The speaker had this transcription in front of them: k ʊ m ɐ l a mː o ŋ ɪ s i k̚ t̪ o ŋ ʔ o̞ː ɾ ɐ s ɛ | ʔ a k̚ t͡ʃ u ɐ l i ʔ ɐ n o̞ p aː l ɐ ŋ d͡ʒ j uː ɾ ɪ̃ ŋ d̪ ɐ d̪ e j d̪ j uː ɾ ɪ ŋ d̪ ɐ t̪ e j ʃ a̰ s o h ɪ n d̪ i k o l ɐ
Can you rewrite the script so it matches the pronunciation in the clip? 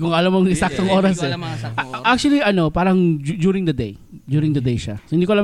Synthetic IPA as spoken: k ʊ ŋ ɐ l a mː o ŋ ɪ s a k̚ t̪ o ŋ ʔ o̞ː ɾ ɐ s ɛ | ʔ a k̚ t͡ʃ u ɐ l i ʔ ɐ n o̞ p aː ɾ ɐ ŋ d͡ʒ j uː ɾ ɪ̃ ŋ d̪ ɐ d̪ e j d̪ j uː ɾ ɪ ŋ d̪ ɐ d̪ e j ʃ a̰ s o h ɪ n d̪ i k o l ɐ